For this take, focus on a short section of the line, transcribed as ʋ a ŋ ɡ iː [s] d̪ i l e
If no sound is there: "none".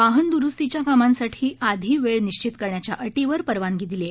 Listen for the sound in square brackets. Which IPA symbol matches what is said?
none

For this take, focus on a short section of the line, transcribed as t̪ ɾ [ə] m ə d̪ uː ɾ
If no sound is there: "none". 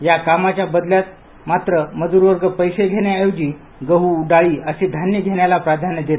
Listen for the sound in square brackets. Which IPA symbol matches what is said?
ə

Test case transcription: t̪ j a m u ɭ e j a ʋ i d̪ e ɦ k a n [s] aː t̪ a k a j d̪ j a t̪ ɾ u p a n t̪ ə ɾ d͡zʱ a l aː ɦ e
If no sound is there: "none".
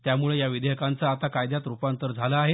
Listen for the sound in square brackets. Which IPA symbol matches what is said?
t͡s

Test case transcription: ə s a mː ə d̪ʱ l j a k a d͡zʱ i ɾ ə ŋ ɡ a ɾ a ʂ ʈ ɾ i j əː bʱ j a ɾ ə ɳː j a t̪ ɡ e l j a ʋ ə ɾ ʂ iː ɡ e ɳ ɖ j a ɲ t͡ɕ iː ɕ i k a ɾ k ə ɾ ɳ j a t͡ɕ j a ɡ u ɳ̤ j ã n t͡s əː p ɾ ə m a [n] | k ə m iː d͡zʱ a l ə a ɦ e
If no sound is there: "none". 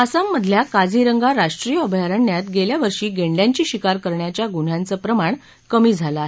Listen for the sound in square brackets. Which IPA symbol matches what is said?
ɳ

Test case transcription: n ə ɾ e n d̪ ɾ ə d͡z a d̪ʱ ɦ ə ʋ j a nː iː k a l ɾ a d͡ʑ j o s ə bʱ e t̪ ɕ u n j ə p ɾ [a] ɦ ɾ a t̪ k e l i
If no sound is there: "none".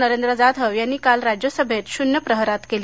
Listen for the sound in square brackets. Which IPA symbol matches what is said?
ə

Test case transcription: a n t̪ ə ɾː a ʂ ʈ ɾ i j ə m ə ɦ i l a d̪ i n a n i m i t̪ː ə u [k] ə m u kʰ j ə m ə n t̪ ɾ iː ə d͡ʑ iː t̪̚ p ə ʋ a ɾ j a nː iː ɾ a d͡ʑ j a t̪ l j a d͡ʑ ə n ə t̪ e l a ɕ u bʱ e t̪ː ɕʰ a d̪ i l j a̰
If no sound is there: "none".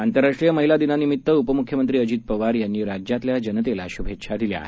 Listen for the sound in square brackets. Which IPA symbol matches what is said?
p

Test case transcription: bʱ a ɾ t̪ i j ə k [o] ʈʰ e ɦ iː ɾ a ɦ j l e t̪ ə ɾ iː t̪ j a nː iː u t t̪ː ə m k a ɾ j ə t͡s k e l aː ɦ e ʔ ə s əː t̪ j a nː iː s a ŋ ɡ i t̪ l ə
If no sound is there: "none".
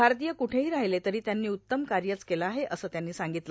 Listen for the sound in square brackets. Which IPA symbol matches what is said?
u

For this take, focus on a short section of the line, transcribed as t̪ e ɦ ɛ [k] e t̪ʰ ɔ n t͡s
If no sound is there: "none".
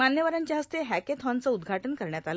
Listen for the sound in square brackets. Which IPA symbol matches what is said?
k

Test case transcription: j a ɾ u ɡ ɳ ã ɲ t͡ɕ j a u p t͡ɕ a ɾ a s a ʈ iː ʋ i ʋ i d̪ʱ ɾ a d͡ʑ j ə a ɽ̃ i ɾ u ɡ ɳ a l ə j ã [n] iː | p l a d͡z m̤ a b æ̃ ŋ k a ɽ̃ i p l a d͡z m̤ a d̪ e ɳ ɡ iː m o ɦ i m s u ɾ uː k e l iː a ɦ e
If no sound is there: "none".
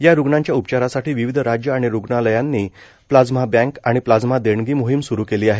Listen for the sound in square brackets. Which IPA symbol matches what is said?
nː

